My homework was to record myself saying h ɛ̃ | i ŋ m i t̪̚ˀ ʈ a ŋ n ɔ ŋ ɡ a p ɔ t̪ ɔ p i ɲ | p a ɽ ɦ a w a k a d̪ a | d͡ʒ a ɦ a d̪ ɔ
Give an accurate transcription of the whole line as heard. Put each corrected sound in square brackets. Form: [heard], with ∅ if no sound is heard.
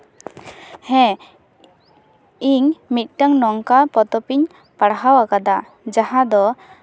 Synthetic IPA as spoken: h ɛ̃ | i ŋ m i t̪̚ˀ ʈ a ŋ n ɔ ŋ [k] a p ɔ t̪ ɔ p i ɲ | p a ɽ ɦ a w a k a d̪ a | d͡ʒ a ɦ a d̪ ɔ

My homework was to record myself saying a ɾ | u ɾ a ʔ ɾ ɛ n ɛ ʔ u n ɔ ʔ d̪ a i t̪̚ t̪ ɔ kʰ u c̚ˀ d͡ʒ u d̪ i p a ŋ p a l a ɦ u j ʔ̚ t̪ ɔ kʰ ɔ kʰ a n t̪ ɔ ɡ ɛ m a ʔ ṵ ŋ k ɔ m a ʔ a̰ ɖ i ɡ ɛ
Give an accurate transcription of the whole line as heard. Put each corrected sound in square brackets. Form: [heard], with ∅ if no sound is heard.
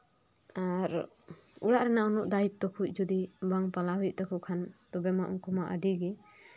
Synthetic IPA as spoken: a ɾ | u [ɽ] a ʔ ɾ ɛ n [a] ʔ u n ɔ ʔ d̪ a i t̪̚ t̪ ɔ kʰ u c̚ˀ d͡ʒ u d̪ i [b] a ŋ p a l a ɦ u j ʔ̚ t̪ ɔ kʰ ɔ kʰ a n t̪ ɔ [b] ɛ m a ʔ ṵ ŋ k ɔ m a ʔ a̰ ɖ i ɡ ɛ

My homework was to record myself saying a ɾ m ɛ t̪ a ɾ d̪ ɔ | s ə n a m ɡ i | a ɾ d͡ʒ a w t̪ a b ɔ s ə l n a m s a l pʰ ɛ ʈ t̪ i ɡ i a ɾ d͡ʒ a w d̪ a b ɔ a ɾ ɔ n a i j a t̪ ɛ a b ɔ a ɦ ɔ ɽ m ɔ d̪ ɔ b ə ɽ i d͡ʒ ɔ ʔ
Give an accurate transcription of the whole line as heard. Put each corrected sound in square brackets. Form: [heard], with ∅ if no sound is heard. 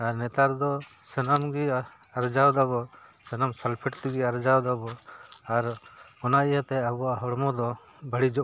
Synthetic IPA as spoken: a ɾ [n] ɛ t̪ a ɾ d̪ ɔ | s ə n a m ɡ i | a ɾ d͡ʒ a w [d̪] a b ɔ s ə [∅] n a m s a l pʰ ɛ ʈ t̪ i ɡ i a ɾ d͡ʒ a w d̪ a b ɔ a ɾ ɔ n a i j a t̪ ɛ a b ɔ a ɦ ɔ ɽ m ɔ d̪ ɔ b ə ɽ i d͡ʒ ɔ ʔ

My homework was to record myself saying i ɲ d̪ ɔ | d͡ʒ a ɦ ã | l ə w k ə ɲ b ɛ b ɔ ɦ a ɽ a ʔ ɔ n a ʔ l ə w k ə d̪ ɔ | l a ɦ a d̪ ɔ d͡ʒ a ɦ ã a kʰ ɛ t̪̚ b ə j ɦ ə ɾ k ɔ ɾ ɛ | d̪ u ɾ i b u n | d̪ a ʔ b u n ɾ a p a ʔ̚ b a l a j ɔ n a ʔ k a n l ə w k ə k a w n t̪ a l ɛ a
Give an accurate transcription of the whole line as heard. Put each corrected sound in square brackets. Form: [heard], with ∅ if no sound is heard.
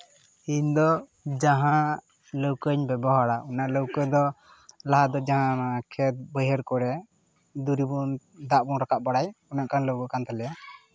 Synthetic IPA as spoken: i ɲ d̪ ɔ | d͡ʒ a ɦ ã | l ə w k ə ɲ b ɛ b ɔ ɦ a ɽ a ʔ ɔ n a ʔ l ə w k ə d̪ ɔ | l a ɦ a d̪ ɔ d͡ʒ a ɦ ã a kʰ ɛ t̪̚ b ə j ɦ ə ɾ k ɔ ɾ ɛ | d̪ u ɾ i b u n | d̪ a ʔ b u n ɾ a [k] a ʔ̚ b a [ɽ] a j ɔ n a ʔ k a n l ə w k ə k a [∅] n t̪ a l ɛ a

